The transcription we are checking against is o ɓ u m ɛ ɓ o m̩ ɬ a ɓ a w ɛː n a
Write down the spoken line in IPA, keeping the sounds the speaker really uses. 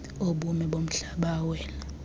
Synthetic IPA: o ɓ u m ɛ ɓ o m̩ ɬ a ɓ a w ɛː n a